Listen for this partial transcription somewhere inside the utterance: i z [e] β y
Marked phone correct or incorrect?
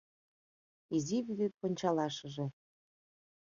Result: incorrect